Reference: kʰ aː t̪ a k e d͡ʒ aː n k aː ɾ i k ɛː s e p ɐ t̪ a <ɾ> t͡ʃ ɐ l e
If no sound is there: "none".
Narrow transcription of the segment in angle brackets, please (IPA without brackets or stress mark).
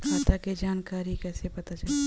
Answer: none